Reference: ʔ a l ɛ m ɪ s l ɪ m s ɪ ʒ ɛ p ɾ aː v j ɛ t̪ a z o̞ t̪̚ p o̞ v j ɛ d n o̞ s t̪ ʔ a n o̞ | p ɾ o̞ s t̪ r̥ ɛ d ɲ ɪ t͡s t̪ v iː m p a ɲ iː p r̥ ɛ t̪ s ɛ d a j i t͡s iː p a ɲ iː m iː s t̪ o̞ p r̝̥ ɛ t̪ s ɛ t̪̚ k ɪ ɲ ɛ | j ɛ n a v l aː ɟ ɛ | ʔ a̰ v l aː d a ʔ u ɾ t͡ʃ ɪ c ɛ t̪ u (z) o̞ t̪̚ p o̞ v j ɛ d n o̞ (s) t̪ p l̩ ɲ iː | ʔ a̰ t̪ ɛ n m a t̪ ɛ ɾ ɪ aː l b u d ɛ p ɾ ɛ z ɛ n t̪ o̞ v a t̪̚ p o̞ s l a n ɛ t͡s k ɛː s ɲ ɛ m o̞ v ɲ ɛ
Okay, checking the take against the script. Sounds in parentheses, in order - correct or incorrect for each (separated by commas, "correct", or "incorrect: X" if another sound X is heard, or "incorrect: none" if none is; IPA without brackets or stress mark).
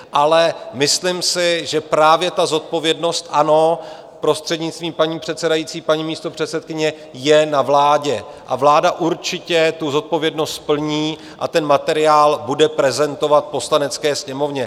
correct, correct